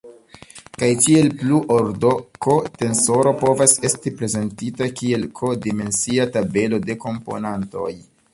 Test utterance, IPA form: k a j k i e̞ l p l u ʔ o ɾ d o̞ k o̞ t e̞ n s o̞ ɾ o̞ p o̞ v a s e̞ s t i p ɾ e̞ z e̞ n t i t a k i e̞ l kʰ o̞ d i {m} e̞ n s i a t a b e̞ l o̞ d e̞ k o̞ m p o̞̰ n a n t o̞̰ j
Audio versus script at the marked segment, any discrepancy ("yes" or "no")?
no